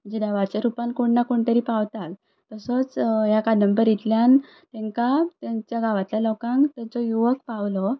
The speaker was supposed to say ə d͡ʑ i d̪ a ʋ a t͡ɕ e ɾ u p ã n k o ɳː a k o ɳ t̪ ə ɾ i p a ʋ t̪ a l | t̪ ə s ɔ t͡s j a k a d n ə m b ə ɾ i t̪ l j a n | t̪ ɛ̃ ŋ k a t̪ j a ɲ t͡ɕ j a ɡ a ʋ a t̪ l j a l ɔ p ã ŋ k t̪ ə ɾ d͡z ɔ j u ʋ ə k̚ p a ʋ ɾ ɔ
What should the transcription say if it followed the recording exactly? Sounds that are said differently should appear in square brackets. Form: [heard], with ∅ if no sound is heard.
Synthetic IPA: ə d͡ʑ i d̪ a ʋ a t͡ɕ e ɾ u p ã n k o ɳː a k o ɳ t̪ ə ɾ i p a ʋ t̪ a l | t̪ ə s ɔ t͡s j a k a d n ə m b ə ɾ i t̪ l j a n | t̪ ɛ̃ ŋ k a t̪ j a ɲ t͡ɕ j a ɡ a ʋ a t̪ l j a l ɔ [k] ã ŋ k t̪ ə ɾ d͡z ɔ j u ʋ ə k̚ p a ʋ [l] ɔ